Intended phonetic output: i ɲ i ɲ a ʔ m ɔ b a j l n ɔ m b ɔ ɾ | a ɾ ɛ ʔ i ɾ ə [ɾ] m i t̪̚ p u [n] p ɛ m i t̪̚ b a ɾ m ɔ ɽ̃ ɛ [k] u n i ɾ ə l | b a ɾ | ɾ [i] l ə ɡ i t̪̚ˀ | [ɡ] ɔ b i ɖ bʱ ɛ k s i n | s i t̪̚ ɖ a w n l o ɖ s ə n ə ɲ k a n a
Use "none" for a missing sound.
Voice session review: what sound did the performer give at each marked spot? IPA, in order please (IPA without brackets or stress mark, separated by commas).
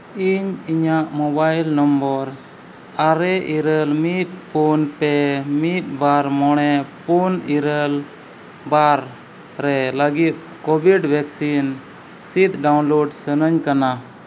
l, n, p, ɛ, k